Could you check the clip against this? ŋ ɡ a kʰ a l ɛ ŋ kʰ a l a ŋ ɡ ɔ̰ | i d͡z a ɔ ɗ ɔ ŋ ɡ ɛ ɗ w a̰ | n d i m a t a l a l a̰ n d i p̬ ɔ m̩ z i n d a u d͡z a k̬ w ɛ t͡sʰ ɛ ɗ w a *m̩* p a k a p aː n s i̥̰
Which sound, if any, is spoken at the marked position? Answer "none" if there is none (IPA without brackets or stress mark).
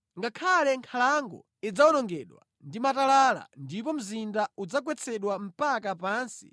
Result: m̩